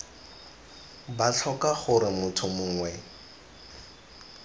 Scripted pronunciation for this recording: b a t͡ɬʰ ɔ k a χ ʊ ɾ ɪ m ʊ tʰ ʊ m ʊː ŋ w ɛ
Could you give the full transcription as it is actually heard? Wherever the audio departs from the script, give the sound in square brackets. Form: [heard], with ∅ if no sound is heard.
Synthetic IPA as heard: b a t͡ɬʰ ɔ k a χ ʊ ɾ ɪ m ʊ tʰ ʊ m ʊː ŋ w ɛ